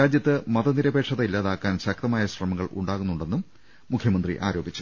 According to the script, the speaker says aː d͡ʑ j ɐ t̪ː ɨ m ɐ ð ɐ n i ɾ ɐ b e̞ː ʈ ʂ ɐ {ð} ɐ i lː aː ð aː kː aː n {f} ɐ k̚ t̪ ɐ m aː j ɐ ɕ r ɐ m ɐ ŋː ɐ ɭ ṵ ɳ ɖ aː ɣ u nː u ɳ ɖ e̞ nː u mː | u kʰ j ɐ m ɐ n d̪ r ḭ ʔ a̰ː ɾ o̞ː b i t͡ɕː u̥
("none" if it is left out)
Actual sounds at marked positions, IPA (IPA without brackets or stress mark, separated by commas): ð, ɕ